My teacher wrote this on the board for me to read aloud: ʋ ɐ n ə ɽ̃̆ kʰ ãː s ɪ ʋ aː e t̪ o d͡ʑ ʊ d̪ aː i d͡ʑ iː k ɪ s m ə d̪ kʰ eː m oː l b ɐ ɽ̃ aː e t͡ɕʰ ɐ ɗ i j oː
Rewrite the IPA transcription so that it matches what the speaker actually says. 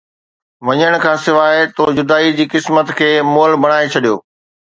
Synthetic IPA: ʋ ɐ ɲ ə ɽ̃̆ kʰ ãː s ɪ ʋ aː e t̪ o d͡ʑ ʊ d̪ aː i d͡ʑ iː k ɪ s m ə t̪ kʰ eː m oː l b ɐ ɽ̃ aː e t͡ɕʰ ɐ ɗ i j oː